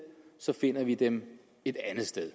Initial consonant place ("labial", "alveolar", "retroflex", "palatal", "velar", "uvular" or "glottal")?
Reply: alveolar